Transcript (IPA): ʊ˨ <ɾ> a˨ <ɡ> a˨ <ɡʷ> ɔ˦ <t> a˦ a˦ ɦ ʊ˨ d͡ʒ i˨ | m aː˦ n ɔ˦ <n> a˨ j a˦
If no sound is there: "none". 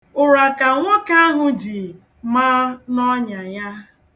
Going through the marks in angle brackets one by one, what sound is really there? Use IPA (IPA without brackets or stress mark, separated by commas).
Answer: ɾ, k, ŋʷ, k, ɲ